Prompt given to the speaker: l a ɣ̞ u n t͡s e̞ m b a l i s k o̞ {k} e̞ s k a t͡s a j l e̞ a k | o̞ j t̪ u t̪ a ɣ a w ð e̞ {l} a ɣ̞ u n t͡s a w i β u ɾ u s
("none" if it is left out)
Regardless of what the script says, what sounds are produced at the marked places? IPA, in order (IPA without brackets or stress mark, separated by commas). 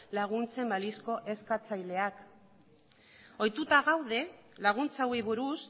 ʔ, l